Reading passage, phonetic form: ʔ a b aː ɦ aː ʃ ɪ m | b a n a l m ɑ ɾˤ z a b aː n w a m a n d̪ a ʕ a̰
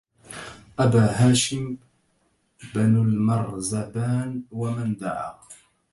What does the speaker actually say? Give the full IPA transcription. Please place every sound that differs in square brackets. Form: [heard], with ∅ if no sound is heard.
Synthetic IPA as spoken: ʔ a b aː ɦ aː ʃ ɪ m | b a n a l m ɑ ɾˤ z a b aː n w a m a n d̪ a ʕ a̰